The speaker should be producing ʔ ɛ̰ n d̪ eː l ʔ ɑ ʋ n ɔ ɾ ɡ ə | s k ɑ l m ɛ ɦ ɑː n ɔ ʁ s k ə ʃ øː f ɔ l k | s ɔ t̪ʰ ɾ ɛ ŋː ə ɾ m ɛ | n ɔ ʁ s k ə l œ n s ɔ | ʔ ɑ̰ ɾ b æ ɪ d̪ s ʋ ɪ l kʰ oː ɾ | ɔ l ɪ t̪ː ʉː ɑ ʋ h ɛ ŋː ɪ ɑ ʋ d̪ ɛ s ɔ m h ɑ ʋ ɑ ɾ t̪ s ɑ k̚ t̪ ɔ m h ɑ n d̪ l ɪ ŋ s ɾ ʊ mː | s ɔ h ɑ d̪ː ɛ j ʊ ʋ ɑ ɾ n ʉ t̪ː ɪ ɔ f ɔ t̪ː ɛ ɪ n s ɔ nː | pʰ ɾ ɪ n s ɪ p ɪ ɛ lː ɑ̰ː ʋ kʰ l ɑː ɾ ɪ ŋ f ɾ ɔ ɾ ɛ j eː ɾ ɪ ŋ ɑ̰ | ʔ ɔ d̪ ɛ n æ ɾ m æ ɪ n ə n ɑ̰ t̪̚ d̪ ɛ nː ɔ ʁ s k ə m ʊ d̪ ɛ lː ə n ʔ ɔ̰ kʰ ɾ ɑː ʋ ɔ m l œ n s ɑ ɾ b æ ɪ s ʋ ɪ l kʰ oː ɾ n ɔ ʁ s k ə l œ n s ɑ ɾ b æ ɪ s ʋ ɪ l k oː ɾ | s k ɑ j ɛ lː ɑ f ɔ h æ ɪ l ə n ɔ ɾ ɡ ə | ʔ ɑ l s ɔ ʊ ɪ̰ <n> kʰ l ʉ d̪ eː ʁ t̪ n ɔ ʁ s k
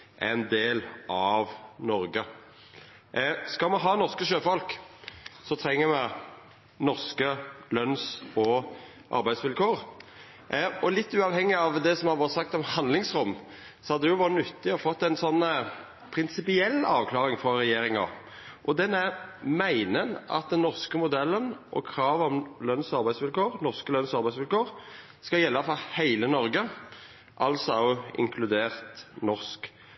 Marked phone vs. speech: incorrect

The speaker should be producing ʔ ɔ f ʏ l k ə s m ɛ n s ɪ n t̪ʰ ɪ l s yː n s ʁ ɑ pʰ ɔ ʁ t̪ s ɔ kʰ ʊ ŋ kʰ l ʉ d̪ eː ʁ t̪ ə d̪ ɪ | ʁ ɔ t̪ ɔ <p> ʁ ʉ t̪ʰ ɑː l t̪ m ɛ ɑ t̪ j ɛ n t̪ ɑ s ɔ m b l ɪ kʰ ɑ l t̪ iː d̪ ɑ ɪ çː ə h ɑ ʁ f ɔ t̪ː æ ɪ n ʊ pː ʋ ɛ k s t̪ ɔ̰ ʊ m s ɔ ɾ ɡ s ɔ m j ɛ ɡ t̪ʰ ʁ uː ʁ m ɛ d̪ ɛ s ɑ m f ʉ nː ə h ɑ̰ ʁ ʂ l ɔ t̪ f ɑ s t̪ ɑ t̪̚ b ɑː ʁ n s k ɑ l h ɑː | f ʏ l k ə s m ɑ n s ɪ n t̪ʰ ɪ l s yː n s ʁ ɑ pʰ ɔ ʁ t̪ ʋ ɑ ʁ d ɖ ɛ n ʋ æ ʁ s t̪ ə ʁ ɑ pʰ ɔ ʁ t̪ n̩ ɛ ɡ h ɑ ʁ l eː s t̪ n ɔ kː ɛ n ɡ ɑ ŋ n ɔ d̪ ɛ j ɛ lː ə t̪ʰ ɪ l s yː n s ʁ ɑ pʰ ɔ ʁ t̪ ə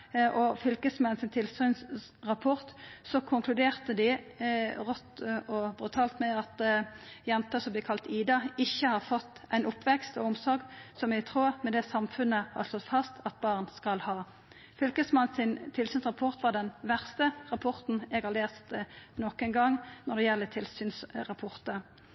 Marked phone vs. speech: incorrect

